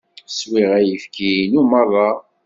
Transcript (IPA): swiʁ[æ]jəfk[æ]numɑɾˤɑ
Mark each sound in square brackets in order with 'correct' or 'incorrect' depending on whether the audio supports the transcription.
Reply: correct, incorrect: i

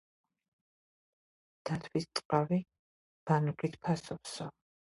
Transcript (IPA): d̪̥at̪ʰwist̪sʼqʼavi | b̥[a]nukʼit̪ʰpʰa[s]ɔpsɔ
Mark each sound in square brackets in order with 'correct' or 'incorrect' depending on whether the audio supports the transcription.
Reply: correct, correct

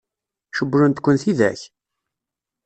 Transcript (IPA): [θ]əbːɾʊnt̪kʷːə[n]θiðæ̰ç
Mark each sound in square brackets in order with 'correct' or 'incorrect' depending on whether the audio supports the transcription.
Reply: incorrect: ʃ, correct

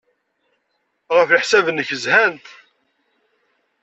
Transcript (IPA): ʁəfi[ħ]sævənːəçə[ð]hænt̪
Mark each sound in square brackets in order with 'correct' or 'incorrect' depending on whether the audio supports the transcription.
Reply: correct, incorrect: z

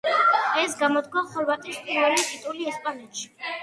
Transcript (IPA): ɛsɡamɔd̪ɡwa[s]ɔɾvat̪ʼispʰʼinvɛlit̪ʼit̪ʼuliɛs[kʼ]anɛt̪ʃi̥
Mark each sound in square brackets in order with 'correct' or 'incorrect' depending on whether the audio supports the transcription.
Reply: incorrect: χ, incorrect: pʼ

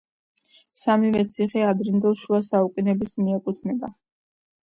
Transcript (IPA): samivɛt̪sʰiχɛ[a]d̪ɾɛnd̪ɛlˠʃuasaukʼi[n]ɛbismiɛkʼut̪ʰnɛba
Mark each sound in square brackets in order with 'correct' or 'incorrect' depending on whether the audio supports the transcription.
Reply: correct, correct

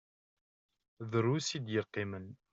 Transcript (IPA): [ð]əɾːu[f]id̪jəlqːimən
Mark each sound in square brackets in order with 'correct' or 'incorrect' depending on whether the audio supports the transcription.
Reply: correct, incorrect: s

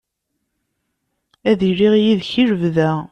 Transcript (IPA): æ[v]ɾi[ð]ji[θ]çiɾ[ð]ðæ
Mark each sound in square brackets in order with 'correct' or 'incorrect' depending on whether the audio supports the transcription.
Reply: incorrect: ð, incorrect: ʁ, incorrect: ð, incorrect: v

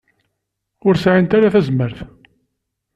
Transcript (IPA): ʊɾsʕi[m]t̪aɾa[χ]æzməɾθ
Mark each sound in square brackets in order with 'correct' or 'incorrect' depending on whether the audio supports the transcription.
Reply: incorrect: n, incorrect: θ

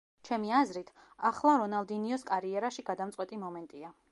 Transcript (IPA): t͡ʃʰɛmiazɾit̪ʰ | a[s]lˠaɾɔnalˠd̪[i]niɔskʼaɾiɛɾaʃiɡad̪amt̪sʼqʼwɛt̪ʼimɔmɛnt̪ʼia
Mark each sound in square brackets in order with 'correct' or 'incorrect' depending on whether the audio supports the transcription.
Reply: incorrect: χ, correct

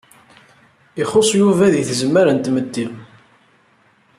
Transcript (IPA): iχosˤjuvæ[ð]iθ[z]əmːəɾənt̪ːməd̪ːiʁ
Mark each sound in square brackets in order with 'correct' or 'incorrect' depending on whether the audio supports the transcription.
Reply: correct, correct

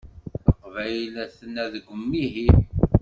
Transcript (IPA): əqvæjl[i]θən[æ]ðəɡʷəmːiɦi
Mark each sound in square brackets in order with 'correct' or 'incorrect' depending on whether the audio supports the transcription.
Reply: incorrect: æ, correct

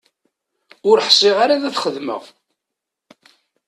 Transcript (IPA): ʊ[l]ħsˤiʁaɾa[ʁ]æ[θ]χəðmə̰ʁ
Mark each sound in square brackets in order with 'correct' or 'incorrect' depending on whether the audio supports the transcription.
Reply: incorrect: ɾ, incorrect: ð, correct

